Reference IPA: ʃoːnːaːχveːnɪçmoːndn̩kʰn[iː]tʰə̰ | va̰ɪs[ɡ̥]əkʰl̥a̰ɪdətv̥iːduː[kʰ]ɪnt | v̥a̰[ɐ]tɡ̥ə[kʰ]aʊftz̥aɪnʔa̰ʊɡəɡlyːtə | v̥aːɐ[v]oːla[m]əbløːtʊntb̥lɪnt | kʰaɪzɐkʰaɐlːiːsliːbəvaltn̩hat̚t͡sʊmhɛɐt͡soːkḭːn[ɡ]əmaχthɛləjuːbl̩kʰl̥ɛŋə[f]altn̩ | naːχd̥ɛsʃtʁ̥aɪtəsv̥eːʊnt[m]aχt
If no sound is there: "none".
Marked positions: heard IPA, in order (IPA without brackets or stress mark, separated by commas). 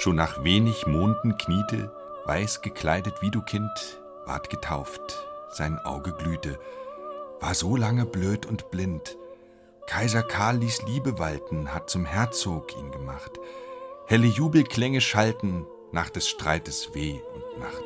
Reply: iː, ɡ̥, kʰ, ɐ, tʰ, z, ŋ, ɡ, ʃ, n